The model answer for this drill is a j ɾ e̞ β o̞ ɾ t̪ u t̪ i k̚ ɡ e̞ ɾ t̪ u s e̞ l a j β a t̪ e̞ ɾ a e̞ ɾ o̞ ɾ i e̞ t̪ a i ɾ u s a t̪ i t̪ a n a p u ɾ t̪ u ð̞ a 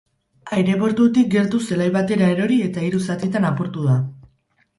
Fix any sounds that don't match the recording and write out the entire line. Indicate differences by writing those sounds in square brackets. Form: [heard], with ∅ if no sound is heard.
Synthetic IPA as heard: a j ɾ e̞ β o̞ ɾ t̪ u t̪ i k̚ ɡ e̞ ɾ t̪ u s e̞ l a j β a t̪ e̞ ɾ a e̞ ɾ o̞ ɾ i e̞ t̪ a i ɾ u s a t̪ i t̪ a n a p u ɾ t̪ u ð̞ a